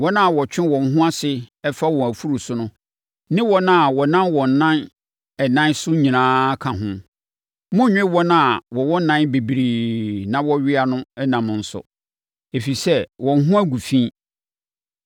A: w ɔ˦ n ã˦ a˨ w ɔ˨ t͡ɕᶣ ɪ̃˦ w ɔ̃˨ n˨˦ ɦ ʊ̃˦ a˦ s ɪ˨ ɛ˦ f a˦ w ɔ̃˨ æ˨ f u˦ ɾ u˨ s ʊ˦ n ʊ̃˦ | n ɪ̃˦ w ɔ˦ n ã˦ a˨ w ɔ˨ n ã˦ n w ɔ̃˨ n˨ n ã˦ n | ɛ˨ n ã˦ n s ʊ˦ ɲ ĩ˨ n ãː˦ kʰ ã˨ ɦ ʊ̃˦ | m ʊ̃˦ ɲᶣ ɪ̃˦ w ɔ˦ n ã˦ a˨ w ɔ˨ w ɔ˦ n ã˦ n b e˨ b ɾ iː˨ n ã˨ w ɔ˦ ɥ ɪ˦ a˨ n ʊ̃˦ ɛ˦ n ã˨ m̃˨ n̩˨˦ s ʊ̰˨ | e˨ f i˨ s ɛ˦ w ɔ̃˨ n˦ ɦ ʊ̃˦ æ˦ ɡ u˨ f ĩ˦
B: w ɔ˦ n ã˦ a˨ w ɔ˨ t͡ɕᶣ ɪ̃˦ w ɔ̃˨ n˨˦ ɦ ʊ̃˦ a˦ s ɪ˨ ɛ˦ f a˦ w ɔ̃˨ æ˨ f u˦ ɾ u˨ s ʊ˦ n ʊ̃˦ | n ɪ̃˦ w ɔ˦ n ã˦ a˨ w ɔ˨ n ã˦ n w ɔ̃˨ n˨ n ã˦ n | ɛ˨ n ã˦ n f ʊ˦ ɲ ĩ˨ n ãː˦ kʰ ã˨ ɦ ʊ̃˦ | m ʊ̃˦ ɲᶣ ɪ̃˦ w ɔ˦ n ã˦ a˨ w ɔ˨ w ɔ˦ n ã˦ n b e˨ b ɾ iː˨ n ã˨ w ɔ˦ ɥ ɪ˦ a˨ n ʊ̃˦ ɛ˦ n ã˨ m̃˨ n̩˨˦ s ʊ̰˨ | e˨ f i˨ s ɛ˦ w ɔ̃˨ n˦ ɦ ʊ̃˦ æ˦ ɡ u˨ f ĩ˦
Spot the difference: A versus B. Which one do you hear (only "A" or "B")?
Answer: A